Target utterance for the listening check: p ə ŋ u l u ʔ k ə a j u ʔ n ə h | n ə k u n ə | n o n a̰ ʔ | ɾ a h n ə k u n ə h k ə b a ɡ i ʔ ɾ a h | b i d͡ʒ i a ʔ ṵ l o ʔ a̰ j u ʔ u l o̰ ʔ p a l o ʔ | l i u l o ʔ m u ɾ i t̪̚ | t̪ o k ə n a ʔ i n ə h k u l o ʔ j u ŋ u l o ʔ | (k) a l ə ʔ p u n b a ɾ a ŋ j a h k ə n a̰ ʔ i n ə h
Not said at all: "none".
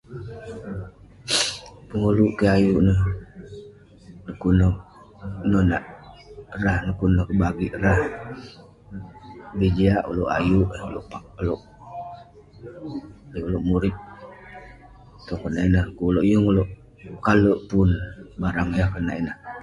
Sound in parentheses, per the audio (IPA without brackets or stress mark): k